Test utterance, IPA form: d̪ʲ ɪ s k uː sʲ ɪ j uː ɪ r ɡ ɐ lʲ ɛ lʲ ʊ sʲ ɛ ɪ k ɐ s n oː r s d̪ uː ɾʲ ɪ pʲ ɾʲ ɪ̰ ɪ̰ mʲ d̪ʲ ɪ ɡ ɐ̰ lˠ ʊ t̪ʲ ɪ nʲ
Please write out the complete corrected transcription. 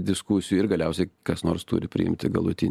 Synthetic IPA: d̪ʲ ɪ s k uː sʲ ɪ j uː ɪ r ɡ ɐ lʲ ɛ ʊ sʲ ɛ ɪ k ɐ s n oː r s t̪ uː ɾʲ ɪ pʲ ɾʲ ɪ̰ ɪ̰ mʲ t̪ʲ ɪ ɡ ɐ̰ lˠ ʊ t̪ʲ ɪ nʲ